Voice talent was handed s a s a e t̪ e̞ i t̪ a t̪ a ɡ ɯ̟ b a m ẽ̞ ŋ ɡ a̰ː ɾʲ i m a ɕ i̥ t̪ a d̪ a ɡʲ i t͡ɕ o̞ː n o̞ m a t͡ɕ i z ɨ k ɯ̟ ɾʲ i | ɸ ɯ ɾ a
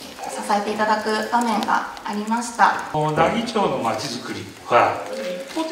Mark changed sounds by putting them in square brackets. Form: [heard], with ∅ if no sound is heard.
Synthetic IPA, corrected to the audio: s a s a e t̪ e̞ i t̪ a [d̪] a [k] ɯ̟ b a m ẽ̞ ŋ ɡ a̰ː ɾʲ i m a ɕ i̥ t̪ a d̪ a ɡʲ i t͡ɕ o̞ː n o̞ m a t͡ɕ i z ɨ k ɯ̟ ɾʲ i | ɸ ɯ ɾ a